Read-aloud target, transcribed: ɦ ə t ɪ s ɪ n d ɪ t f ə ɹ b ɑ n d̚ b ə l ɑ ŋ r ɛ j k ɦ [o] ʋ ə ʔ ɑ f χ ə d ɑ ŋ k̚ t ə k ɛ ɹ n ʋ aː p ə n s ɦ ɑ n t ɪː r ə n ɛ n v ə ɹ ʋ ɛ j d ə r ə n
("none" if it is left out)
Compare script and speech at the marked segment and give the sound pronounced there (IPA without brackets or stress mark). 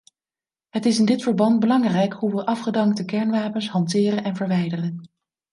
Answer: u